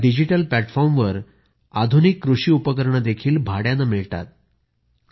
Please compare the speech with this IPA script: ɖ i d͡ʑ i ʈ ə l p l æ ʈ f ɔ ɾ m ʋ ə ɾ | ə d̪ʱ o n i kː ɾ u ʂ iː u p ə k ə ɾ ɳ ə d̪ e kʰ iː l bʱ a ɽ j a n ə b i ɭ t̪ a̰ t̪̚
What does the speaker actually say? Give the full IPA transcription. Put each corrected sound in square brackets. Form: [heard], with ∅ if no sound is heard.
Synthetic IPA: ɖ i d͡ʑ i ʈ ə l p l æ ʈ f ɔ ɾ m ʋ ə ɾ | [a] d̪ʱ [u] n i kː ɾ u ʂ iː u p ə k ə ɾ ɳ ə d̪ e kʰ iː l bʱ a ɽ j a n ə [m] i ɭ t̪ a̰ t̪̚